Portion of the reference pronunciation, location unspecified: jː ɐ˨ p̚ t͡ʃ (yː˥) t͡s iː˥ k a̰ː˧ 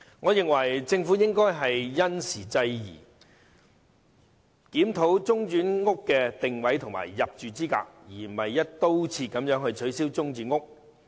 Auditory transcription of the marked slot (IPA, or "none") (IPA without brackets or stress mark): yː˨